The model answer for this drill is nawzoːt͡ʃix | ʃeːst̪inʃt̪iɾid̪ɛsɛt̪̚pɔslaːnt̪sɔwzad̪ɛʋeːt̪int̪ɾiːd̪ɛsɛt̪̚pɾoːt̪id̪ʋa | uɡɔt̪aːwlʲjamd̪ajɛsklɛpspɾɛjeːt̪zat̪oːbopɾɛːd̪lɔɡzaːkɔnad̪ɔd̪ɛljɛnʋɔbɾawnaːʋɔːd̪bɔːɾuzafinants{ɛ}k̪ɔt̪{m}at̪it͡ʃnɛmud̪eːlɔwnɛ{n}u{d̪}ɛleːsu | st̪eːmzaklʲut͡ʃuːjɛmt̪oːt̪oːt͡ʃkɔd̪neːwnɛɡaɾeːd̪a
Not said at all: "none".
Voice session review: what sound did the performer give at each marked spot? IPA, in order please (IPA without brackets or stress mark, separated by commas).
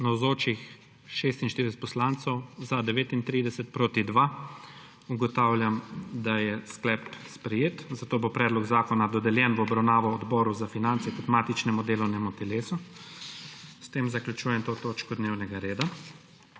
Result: ɛ, m, m, t̪